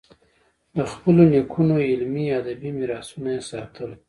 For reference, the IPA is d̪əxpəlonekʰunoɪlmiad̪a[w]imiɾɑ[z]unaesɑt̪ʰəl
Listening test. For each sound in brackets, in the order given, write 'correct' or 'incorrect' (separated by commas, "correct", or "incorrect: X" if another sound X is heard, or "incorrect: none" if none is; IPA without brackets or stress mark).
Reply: incorrect: b, incorrect: s